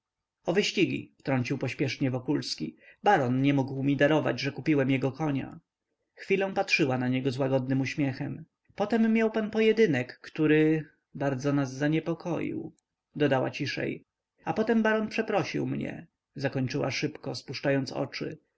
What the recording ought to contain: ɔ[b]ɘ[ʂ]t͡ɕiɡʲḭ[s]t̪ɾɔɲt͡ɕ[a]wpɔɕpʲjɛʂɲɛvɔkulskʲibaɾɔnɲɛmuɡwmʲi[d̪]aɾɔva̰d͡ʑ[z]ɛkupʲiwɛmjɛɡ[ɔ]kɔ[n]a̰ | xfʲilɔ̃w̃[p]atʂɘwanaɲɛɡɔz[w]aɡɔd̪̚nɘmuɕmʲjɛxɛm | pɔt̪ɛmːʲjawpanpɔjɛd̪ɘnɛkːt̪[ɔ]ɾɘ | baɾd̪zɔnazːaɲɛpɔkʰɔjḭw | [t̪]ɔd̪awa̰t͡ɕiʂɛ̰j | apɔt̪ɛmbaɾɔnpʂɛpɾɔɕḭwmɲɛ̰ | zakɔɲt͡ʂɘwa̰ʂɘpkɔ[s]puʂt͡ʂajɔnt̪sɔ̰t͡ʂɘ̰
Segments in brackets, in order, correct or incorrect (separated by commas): incorrect, incorrect, incorrect, incorrect, correct, incorrect, correct, incorrect, correct, correct, incorrect, incorrect, correct